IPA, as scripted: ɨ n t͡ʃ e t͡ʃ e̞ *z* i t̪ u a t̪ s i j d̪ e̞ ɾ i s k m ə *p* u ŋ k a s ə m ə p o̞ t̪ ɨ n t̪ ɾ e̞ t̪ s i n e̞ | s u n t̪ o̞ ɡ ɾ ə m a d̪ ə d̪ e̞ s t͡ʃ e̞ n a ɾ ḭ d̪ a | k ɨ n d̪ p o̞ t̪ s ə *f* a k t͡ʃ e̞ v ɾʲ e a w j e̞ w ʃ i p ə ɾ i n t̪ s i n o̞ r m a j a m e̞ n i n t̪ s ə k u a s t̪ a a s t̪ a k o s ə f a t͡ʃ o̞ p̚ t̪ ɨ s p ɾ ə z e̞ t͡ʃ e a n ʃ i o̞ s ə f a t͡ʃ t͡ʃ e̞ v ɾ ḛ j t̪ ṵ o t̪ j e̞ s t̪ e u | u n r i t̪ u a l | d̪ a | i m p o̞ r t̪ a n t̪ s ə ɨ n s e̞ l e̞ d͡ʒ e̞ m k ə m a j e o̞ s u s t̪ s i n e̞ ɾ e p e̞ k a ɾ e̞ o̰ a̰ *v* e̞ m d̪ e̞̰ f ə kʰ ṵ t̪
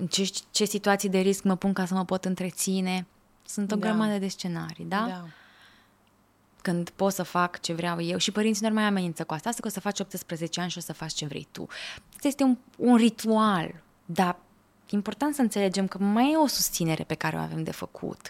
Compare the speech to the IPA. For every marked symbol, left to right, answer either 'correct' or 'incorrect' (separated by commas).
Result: incorrect, correct, correct, correct